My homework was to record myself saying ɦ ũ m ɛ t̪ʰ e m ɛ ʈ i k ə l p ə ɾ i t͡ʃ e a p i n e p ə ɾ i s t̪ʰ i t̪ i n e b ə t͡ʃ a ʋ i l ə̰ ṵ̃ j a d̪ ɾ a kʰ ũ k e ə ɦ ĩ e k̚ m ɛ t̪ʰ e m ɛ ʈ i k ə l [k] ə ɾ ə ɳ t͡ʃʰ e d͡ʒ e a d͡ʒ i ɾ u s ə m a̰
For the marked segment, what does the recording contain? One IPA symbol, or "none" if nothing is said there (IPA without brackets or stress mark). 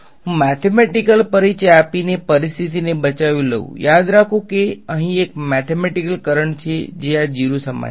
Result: k